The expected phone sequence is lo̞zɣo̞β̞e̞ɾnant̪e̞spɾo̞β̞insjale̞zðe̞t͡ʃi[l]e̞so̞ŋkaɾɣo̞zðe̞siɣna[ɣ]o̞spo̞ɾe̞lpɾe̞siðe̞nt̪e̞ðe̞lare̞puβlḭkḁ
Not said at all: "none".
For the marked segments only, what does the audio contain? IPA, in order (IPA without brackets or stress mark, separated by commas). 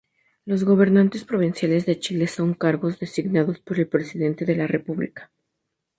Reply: l, ð